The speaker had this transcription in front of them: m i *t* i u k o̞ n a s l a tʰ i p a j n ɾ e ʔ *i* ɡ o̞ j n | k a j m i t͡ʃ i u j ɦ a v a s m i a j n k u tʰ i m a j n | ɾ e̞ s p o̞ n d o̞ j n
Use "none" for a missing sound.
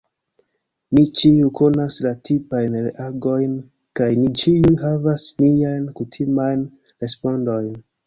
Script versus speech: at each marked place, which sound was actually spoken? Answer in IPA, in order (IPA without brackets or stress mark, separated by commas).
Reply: t͡ʃ, a